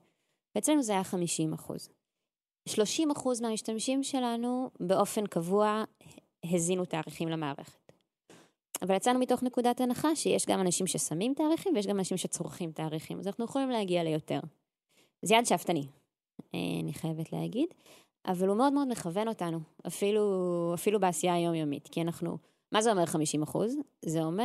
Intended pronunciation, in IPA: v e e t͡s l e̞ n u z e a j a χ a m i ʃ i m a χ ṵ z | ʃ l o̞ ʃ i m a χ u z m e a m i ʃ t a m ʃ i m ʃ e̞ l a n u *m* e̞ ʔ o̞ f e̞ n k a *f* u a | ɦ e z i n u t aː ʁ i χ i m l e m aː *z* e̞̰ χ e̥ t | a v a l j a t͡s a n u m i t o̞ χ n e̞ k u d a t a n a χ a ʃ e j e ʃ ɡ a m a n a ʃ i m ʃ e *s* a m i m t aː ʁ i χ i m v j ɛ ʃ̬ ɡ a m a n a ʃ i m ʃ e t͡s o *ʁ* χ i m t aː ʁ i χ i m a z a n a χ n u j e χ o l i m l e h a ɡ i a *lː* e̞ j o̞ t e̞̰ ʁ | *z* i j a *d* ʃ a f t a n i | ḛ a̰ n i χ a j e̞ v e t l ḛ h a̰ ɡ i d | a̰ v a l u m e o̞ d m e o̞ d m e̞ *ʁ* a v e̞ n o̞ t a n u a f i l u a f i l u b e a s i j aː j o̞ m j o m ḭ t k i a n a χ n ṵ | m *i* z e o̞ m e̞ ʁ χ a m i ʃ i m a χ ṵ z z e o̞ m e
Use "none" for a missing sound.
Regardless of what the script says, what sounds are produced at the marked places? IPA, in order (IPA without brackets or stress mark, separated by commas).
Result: b, v, ʁ, s, ʁ, l, z, d, χ, a